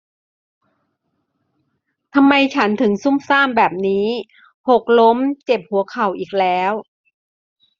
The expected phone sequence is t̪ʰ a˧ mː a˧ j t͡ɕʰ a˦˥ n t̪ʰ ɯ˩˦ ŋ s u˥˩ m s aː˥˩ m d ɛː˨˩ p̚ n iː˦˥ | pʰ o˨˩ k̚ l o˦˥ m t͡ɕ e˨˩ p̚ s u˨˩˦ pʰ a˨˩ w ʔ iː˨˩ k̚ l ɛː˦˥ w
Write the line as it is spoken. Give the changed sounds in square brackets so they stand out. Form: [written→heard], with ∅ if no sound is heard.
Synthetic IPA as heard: t̪ʰ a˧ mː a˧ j t͡ɕʰ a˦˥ n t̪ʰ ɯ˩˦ ŋ s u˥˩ m s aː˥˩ m [d→b] ɛː˨˩ p̚ n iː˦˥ | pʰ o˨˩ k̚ l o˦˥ m t͡ɕ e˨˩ p̚ [s→h] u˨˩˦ [pʰ→kʰ] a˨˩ w ʔ iː˨˩ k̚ l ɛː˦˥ w